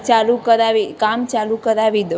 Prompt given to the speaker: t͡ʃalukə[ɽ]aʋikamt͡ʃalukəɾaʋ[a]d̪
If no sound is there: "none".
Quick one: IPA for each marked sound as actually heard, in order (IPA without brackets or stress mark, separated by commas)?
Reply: ɾ, i